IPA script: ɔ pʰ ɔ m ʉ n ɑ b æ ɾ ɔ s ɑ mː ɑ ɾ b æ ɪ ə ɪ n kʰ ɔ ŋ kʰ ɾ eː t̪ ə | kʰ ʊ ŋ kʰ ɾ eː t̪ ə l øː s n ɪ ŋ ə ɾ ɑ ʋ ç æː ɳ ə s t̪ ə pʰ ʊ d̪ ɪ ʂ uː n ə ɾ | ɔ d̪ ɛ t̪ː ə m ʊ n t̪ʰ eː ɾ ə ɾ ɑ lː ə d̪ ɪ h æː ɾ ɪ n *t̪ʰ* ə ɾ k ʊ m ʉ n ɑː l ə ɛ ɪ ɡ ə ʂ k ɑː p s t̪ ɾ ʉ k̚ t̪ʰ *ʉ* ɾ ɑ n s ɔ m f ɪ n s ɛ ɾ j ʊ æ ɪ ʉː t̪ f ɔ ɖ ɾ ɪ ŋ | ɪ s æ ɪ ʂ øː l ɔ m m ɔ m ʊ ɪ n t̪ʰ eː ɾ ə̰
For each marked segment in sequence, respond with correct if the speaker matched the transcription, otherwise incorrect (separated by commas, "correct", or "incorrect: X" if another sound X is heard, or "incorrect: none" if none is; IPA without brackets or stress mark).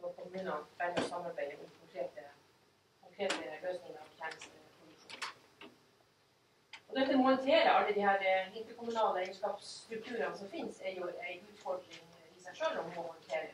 incorrect: t̪, incorrect: ʉː